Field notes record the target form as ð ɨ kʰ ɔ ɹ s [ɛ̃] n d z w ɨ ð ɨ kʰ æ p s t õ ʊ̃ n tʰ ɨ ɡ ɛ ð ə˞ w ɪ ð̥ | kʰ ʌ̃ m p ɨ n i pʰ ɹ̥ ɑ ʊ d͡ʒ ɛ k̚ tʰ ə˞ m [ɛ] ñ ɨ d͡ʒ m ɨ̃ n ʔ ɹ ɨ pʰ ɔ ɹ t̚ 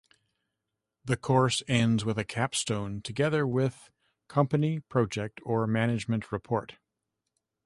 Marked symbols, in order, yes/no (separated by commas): yes, no